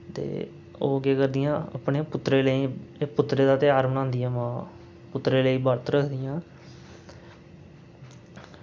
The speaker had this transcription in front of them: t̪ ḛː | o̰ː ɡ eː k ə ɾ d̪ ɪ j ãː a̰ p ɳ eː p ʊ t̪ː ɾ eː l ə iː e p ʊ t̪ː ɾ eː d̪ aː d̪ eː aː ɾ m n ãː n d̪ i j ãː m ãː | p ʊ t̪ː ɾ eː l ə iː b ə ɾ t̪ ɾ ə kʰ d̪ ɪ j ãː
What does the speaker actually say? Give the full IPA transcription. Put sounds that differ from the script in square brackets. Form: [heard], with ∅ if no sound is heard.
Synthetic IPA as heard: t̪ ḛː | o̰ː ɡ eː k ə ɾ d̪ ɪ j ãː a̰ p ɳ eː p ʊ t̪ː ɾ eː l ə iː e p ʊ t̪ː ɾ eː d̪ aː [t̪] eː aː ɾ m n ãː n d̪ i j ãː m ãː | p ʊ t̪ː ɾ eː l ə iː b ə ɾ t̪ ɾ ə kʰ d̪ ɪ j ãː